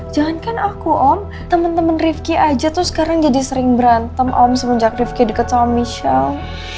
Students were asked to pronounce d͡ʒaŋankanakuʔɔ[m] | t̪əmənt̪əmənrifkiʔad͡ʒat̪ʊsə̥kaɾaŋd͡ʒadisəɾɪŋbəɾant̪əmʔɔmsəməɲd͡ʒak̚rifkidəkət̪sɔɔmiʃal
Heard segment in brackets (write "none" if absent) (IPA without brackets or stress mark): m